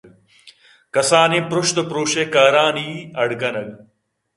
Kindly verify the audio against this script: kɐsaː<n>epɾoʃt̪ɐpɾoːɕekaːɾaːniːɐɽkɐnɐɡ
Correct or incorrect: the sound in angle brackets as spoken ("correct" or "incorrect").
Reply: correct